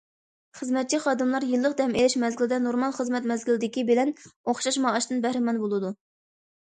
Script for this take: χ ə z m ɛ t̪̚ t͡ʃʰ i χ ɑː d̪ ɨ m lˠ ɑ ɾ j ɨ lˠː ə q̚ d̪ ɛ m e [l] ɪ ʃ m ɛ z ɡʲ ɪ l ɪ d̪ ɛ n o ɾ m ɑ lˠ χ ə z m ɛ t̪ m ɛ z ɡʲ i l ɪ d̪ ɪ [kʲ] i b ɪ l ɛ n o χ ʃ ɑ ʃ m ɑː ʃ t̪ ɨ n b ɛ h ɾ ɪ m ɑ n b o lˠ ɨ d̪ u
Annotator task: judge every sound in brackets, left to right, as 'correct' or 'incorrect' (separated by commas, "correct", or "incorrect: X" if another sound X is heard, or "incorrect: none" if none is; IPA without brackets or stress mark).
correct, correct